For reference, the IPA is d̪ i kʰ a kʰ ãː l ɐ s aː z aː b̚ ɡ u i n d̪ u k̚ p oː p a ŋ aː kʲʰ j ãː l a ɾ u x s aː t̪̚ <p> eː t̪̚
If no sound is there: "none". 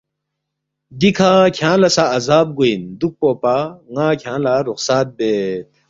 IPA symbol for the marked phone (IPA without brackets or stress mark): b